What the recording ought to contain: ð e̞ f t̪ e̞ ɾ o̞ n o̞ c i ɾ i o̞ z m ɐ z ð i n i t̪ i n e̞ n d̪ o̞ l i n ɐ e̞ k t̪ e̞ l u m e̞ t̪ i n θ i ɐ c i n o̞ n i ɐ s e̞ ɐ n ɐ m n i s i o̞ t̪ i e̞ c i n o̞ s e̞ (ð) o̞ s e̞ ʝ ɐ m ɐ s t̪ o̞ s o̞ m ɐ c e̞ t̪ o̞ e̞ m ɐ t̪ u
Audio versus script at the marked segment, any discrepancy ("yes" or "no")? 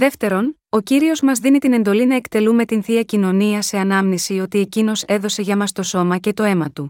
no